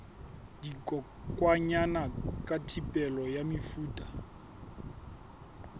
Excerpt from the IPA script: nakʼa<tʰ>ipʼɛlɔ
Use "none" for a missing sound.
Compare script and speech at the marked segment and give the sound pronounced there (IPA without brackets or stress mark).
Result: tʰ